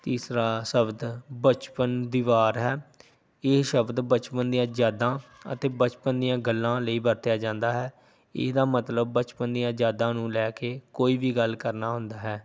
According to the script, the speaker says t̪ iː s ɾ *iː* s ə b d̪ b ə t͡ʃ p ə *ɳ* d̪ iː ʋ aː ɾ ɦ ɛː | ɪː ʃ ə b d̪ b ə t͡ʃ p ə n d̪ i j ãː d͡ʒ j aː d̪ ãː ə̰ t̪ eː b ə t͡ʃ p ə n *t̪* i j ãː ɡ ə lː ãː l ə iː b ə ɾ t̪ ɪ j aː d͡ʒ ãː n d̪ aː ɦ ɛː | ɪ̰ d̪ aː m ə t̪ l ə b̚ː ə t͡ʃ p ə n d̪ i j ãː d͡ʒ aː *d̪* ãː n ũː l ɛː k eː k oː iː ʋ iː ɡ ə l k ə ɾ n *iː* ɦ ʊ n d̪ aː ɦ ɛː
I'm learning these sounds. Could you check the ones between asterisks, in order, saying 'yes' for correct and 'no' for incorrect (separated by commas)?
no, no, no, yes, no